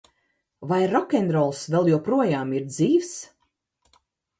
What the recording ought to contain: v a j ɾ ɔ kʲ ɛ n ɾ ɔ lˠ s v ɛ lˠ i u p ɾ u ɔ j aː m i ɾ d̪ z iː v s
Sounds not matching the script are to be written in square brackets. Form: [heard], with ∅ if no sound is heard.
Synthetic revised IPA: v a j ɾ ɔ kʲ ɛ n ɾ ɔ lˠ s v ɛ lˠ [j] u p ɾ u ɔ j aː m i ɾ d̪ z iː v s